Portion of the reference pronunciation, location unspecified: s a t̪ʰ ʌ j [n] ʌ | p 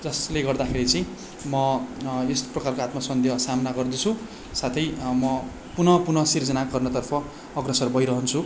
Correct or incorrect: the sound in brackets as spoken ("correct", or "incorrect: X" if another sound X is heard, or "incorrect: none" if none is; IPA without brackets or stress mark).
incorrect: m